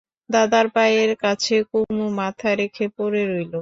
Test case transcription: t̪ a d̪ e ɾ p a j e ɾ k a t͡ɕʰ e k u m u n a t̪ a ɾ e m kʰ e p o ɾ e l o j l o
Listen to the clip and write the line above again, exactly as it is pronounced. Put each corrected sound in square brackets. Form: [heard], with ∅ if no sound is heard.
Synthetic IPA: [d̪] a d̪ [a] ɾ p a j e ɾ k a t͡ɕʰ e k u m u [m] a [t̪ʰ] a ɾ e [∅] kʰ e p o ɾ e [ɾ] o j l o